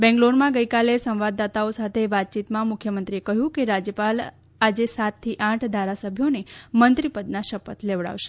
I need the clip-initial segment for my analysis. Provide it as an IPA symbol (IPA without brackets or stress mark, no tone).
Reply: b